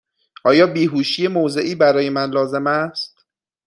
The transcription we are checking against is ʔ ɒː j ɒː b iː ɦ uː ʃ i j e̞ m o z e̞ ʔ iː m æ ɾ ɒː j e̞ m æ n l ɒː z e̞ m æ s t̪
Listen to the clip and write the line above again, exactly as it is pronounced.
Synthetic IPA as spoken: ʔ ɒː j ɒː b iː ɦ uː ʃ i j e̞ m o z e̞ ʔ iː b æ ɾ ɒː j e̞ m æ n l ɒː z e̞ m æ s t̪